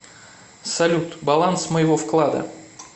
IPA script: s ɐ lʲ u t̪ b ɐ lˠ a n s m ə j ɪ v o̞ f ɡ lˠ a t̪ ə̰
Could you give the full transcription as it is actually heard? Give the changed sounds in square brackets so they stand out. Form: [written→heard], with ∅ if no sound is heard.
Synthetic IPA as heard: s ɐ lʲ u t̪ b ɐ lˠ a n s m ə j ɪ v o̞ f [ɡ→k] lˠ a [t̪→d̪] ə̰